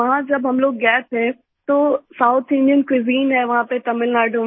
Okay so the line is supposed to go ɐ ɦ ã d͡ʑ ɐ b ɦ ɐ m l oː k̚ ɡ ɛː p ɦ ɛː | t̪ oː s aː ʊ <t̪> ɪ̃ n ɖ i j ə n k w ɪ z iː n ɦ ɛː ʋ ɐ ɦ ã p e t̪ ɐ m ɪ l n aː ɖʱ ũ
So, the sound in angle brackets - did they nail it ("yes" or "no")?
no